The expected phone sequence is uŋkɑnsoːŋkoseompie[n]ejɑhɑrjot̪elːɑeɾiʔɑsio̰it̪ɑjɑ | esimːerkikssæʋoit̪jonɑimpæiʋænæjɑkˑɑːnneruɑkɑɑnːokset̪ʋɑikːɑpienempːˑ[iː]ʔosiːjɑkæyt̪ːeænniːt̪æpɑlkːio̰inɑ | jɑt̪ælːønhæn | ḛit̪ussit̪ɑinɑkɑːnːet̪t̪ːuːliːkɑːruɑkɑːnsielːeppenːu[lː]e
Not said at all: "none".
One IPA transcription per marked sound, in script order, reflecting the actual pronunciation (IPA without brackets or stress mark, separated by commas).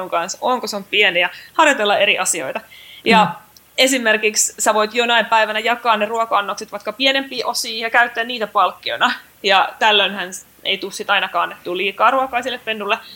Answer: n, iː, lː